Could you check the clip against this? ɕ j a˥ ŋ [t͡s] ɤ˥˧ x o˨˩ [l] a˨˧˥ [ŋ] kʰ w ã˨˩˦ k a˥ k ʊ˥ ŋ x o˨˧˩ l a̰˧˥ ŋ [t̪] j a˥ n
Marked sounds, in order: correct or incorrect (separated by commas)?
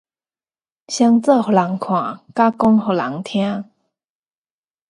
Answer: correct, correct, correct, incorrect